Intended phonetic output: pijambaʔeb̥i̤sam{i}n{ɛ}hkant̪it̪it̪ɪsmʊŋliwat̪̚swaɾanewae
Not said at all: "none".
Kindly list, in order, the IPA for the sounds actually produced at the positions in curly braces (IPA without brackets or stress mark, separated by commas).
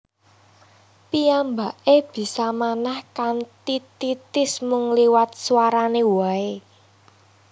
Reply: a, a